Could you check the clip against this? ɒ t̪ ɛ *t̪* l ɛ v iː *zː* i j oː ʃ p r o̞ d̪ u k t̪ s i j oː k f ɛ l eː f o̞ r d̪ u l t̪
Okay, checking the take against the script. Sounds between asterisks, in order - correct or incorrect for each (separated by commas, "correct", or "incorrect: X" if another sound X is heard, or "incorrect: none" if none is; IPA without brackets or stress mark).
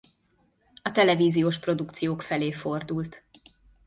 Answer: incorrect: none, incorrect: z